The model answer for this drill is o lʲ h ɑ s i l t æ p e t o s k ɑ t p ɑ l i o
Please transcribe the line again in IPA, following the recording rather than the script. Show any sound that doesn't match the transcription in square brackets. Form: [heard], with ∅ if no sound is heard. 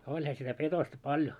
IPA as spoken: o lʲ h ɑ s i [∅] t æ p e t o s [t] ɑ [∅] p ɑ l [j] o